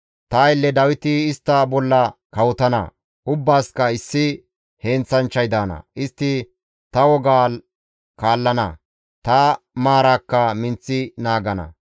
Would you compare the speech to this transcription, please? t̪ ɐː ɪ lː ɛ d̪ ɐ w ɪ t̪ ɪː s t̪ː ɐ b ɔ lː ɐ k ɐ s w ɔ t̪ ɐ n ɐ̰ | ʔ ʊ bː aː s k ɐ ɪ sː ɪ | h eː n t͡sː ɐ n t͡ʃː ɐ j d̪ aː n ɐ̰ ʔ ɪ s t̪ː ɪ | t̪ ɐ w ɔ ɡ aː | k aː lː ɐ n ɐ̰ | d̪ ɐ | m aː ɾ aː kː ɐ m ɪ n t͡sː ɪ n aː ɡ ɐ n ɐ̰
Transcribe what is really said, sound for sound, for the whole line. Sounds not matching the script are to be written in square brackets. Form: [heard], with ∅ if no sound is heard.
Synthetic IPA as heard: t̪ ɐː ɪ lː ɛ d̪ ɐ w ɪ t̪ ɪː s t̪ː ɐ b ɔ lː ɐ k ɐ [∅] w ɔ t̪ ɐ n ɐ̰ | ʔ ʊ bː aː s k ɐ ɪ sː ɪ | h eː n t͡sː ɐ n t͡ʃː ɐ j d̪ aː n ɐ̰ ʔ ɪ s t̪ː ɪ | t̪ ɐ w ɔ ɡ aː | k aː lː ɐ n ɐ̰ | [t̪] ɐ | m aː ɾ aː kː ɐ m ɪ n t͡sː ɪ n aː ɡ ɐ n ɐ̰